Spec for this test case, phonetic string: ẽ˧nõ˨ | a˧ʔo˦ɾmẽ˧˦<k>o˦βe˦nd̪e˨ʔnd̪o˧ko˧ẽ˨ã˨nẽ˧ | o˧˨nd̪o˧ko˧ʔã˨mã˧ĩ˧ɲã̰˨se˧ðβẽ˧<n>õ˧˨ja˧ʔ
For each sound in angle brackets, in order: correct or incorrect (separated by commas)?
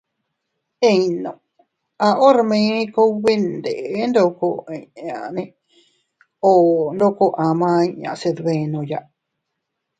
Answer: correct, correct